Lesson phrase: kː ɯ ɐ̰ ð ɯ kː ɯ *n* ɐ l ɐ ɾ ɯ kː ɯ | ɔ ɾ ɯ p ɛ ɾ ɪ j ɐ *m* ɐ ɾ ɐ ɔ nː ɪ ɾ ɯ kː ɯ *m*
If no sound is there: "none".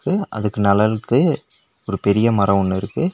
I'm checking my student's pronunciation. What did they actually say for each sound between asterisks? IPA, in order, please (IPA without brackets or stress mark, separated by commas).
n, m, none